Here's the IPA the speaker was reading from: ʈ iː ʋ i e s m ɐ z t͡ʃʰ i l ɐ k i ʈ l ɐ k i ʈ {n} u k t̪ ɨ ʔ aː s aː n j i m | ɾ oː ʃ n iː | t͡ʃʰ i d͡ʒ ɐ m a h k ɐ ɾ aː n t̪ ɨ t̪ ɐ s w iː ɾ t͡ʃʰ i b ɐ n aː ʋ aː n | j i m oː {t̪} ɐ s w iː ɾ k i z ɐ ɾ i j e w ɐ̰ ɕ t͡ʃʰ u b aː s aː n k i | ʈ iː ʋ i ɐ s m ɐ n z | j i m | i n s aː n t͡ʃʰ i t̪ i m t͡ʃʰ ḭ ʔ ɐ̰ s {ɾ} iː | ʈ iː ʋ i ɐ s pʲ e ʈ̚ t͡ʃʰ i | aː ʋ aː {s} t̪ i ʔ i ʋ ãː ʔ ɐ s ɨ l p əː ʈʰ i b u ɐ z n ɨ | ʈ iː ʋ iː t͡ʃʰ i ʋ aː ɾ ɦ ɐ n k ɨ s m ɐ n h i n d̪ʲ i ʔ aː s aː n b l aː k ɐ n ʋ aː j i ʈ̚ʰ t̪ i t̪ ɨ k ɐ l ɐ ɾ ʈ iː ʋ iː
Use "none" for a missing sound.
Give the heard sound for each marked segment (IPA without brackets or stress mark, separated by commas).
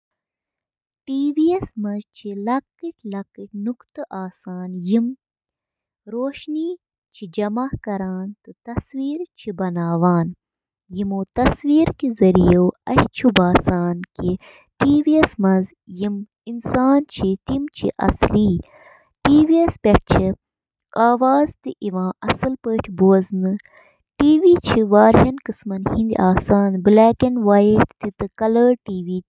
n, t̪, l, z